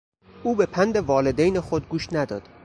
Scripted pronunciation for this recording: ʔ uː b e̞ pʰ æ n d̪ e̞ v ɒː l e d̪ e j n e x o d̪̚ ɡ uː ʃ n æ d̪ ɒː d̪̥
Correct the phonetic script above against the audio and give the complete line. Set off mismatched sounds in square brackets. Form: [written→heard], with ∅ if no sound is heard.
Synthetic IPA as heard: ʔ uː b e̞ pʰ æ n d̪ e̞ v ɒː l e d̪ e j n e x o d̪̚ ɡ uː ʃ n æ d̪ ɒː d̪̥